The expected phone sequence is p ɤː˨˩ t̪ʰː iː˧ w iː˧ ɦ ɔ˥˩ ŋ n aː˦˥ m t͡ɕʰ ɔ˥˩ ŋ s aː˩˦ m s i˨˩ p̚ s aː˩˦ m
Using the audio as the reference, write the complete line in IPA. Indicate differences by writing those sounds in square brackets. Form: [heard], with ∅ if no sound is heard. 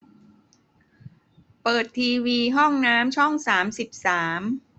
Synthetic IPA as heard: p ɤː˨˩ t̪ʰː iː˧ w iː˧ ɦ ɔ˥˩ ŋ n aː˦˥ m t͡ɕʰ ɔ˥˩ ŋ s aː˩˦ m s i˨˩ p̚ s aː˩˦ m